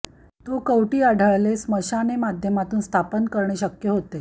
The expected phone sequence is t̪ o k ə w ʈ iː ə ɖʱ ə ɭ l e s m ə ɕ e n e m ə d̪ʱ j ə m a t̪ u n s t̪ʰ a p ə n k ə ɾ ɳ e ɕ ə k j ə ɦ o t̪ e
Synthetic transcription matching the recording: t̪ o k ə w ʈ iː a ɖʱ ə ɭ l e s m ə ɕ a n e m a d̪ʱ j ə m a t̪ uː n s t̪ʰ a p ə n k ə ɾ ɳ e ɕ ə k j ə ɦ o t̪ e